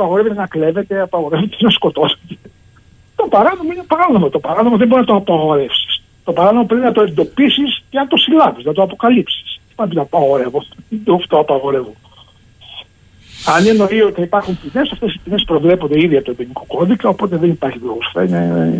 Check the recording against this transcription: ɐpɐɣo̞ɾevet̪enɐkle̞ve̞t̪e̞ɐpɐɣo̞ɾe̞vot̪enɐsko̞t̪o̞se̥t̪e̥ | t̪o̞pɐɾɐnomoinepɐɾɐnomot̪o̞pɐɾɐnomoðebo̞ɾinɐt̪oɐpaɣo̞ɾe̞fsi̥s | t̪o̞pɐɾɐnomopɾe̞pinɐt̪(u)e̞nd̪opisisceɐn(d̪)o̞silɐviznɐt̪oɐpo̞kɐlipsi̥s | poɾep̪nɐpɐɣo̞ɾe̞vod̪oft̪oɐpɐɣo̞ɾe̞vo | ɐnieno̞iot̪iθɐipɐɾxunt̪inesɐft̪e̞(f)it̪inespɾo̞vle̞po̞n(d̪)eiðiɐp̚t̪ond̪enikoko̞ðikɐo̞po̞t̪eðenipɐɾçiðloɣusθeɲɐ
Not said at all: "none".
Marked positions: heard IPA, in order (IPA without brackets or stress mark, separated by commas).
o, t̪, s, d̪